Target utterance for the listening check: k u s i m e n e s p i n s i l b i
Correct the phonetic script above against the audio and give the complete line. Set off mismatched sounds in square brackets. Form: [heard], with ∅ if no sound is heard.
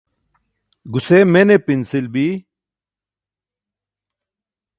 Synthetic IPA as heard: [ɡ] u s [e] m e n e [∅] p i n s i l b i

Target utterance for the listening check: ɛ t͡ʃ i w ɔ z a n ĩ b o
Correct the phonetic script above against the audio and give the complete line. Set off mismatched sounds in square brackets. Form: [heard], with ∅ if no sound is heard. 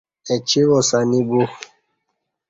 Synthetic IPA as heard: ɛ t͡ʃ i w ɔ [s] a n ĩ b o

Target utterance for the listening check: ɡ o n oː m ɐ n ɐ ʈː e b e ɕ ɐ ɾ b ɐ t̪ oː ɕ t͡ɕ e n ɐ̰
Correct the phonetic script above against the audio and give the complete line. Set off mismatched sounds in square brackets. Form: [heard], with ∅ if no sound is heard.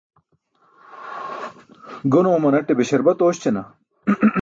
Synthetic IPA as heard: ɡ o n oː m ɐ n ɐ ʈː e b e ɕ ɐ ɾ b ɐ t̪ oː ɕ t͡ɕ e n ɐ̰

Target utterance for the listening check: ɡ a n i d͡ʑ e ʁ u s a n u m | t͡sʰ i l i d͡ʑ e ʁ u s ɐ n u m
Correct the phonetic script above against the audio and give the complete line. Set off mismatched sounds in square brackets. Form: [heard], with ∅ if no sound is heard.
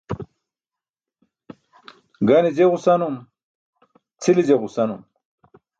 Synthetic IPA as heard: ɡ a n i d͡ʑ e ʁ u s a n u m | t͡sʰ i l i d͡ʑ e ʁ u s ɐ n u m

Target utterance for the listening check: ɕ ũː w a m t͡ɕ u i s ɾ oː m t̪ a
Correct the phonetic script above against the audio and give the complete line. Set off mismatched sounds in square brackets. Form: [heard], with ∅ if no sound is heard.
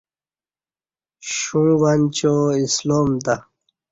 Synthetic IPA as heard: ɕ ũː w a [n] t͡ɕ [o] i s [l] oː m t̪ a

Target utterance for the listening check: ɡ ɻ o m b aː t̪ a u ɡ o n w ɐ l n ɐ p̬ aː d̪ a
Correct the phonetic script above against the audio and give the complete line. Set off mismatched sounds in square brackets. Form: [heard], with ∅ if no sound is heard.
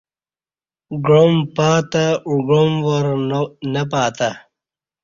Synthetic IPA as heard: ɡ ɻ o m [p] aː t̪ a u ɡ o [m] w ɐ [ɾ] n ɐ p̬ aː [t̪] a

